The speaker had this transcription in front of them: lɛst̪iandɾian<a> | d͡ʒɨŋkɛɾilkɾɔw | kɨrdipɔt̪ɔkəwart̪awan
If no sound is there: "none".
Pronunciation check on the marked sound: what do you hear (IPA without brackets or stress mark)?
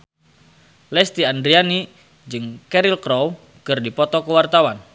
i